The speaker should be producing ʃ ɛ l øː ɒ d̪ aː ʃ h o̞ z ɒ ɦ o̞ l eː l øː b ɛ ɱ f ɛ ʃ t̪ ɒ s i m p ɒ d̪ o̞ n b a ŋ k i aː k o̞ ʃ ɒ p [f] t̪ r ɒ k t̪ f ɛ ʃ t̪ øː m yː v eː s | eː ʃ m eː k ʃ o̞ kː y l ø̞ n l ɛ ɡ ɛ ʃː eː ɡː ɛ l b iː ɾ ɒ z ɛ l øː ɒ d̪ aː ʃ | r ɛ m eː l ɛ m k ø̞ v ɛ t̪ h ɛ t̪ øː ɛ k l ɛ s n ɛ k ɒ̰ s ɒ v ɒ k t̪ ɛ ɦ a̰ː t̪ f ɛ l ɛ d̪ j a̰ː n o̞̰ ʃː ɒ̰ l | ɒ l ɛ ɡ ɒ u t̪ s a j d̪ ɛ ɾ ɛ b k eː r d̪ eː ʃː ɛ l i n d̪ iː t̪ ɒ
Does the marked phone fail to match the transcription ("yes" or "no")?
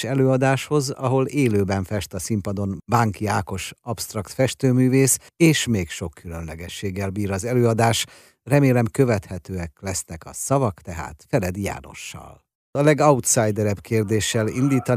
yes